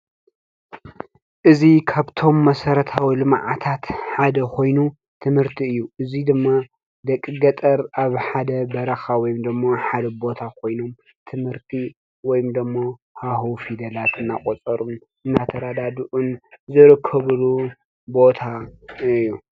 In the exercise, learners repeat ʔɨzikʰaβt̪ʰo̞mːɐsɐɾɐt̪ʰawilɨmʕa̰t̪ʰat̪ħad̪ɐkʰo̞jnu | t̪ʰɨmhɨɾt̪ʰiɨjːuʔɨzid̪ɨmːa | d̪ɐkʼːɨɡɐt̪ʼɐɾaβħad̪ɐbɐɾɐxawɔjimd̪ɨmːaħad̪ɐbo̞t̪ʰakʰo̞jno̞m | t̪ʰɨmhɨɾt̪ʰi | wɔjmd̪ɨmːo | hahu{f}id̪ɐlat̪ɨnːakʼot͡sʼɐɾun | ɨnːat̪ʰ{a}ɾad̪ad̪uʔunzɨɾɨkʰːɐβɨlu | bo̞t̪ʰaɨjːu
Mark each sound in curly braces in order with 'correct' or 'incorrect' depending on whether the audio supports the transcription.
correct, incorrect: ɐ

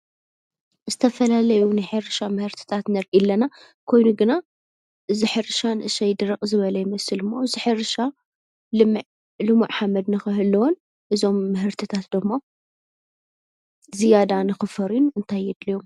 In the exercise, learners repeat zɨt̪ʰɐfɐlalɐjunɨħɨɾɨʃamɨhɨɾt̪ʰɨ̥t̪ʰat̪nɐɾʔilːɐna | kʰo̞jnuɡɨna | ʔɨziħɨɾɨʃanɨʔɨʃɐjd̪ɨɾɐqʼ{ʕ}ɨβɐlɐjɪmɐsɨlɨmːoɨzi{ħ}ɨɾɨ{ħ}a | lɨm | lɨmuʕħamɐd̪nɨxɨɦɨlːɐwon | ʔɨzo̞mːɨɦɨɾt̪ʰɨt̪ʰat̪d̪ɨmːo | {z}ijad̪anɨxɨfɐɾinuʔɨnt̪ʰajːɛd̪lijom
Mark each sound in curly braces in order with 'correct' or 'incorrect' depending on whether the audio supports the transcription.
incorrect: z, correct, incorrect: ʃ, correct

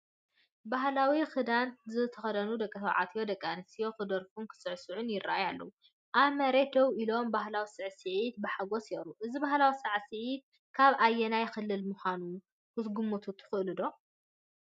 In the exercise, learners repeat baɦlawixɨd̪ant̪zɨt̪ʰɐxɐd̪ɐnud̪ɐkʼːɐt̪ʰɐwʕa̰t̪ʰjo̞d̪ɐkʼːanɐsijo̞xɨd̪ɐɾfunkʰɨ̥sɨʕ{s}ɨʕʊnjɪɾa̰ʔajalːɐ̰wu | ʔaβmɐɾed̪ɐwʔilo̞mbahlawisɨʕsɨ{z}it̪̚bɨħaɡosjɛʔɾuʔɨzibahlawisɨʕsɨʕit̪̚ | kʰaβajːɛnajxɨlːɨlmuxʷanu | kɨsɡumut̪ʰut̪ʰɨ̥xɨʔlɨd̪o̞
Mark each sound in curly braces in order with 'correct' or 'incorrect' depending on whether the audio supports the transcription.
correct, incorrect: ʕ

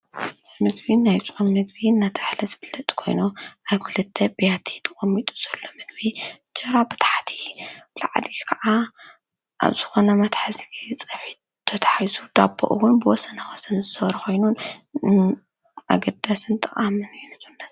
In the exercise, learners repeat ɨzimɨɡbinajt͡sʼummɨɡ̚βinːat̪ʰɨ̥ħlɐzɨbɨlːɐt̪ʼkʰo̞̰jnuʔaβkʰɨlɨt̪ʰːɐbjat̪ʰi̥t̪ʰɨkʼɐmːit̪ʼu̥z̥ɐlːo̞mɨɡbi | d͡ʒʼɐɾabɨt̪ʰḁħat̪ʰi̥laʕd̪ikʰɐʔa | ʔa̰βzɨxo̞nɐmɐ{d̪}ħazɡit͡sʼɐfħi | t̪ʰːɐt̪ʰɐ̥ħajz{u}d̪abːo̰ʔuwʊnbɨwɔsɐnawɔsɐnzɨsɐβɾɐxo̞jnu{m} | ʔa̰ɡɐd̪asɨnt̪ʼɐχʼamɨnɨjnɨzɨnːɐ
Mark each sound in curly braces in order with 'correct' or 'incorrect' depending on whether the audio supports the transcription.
incorrect: t̪, correct, incorrect: n

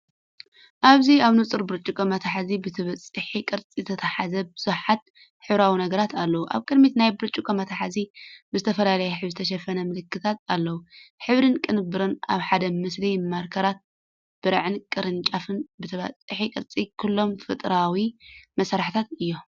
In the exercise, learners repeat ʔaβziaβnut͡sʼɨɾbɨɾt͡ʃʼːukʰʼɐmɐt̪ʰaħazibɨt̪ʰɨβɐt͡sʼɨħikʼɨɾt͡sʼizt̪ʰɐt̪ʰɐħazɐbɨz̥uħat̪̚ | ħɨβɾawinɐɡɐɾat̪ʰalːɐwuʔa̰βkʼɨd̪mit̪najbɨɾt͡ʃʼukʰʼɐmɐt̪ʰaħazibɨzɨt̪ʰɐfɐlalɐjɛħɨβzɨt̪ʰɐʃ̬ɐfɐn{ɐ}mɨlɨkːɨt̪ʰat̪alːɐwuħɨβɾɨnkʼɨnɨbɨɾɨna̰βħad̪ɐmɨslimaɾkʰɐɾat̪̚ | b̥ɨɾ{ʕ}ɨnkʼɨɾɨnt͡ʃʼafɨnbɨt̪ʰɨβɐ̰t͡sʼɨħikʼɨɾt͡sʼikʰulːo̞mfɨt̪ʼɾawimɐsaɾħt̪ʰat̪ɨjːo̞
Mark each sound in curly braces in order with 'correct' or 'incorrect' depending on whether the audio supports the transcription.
correct, correct

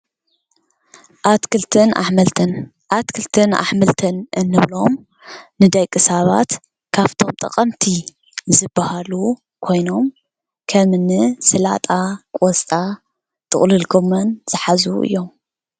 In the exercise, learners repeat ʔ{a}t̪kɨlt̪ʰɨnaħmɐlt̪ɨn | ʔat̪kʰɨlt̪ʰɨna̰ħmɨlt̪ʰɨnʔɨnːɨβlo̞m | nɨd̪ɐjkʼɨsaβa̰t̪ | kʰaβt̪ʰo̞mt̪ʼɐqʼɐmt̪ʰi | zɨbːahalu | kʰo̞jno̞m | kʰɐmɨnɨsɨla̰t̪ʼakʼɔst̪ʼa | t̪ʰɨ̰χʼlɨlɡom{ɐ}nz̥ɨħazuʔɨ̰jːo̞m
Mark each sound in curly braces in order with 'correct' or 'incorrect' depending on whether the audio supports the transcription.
correct, correct

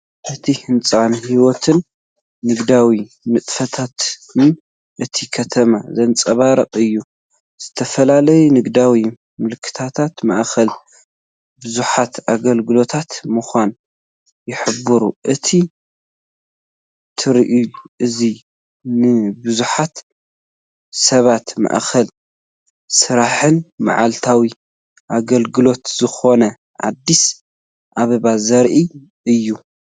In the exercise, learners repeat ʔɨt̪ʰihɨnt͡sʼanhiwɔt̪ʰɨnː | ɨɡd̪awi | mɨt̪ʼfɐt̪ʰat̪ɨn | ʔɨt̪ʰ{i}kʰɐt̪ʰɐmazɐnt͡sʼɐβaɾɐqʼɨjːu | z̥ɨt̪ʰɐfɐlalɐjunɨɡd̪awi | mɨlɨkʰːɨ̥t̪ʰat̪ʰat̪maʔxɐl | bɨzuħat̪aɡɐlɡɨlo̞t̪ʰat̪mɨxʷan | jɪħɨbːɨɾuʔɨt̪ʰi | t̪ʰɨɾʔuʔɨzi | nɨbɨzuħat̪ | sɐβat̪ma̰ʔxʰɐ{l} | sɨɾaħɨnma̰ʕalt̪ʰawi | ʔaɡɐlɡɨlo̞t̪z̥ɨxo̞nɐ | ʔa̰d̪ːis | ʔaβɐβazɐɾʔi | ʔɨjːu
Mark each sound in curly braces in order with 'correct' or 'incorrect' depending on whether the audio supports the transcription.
correct, correct

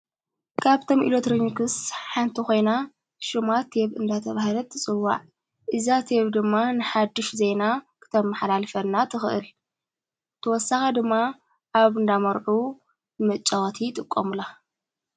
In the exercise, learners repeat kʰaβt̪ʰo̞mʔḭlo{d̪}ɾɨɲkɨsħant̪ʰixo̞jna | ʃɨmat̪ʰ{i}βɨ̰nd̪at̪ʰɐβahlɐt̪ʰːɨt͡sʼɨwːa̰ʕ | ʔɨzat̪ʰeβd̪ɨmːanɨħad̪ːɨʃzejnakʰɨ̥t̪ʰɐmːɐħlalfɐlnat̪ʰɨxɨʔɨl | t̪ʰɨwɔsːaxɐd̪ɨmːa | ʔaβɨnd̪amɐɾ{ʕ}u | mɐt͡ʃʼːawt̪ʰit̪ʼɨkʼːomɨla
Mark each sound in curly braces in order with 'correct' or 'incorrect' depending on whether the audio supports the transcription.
incorrect: t̪, incorrect: e, correct

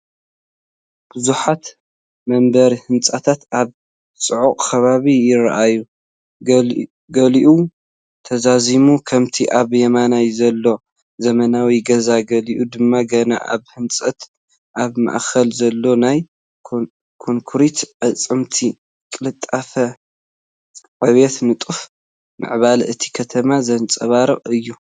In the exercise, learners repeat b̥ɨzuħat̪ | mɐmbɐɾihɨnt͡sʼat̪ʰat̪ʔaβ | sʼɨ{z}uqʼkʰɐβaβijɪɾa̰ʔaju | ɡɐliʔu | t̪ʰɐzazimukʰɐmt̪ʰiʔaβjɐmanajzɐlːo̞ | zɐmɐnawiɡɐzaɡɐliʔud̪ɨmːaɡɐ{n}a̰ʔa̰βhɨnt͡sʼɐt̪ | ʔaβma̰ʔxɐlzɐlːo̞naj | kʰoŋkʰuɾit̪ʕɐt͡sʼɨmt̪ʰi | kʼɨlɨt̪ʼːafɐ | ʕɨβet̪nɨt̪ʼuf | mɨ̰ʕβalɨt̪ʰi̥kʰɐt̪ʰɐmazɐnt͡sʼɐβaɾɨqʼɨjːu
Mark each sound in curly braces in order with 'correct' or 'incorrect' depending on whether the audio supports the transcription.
incorrect: ʕ, correct

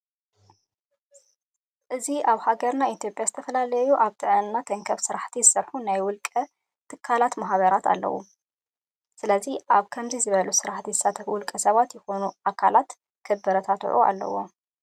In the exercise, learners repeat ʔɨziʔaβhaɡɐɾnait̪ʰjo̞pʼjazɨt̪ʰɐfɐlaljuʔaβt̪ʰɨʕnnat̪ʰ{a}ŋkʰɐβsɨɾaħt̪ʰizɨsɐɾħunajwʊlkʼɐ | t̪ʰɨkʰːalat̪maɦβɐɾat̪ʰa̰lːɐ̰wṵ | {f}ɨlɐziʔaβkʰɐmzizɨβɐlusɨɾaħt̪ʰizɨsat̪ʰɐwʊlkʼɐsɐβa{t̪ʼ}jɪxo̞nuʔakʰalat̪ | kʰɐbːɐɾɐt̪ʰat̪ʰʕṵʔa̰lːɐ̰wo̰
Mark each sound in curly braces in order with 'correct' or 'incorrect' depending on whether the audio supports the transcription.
incorrect: ɐ, incorrect: s, incorrect: t̪

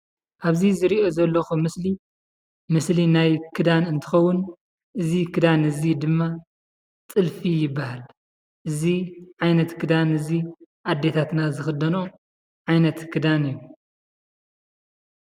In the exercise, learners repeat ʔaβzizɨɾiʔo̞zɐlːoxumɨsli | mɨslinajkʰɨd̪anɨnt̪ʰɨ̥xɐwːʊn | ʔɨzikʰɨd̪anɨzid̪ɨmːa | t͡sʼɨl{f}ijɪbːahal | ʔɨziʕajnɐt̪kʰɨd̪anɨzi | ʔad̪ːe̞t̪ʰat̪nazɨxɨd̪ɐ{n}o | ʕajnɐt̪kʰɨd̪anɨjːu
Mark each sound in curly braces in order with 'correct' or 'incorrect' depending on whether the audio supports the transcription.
correct, correct

